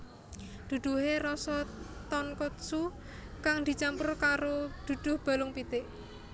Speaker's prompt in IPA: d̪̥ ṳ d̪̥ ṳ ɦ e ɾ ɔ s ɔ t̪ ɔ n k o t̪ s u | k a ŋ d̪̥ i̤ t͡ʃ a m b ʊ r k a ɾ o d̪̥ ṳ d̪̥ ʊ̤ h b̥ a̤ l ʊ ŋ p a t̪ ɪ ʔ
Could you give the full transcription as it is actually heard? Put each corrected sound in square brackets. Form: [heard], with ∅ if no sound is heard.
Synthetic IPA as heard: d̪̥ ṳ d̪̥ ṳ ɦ e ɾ ɔ s ɔ t̪ ɔ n k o t̪ s u | k a ŋ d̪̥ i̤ t͡ʃ a m [p] ʊ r k a ɾ o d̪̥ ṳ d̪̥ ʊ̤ h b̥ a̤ l ʊ ŋ p [i] t̪ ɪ ʔ